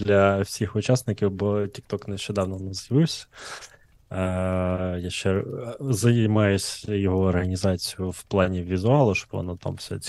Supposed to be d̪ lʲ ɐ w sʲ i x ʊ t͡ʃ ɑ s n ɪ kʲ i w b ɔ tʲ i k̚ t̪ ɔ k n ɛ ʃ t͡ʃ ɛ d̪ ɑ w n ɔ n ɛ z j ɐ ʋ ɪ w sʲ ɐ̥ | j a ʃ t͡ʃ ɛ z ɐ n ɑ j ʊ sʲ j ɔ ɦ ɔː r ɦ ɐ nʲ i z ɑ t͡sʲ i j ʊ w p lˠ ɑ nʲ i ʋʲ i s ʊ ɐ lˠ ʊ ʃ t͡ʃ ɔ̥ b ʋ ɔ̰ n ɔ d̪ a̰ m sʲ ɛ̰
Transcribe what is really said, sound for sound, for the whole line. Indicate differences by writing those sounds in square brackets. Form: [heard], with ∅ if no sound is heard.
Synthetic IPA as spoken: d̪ lʲ ɐ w sʲ i x ʊ t͡ʃ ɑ s n ɪ kʲ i w b ɔ tʲ i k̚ t̪ ɔ k n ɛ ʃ t͡ʃ ɛ d̪ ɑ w n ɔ n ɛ z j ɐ ʋ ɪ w sʲ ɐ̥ | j a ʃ t͡ʃ ɛ z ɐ [m] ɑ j ʊ sʲ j ɔ ɦ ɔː r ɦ ɐ nʲ i z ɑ t͡sʲ i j ʊ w p lˠ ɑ nʲ i ʋʲ i [z] ʊ [ɑ] lˠ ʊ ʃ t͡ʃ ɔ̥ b ʋ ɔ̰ n ɔ [t̪] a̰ m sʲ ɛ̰